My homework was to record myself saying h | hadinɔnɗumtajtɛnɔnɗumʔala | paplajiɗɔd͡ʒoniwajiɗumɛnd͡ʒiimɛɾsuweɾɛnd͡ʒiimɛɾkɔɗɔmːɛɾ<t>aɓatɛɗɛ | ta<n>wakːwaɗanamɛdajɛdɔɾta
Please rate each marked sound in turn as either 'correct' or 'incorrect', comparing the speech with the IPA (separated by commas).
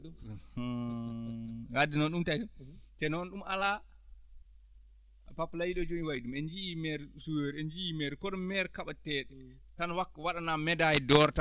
incorrect, correct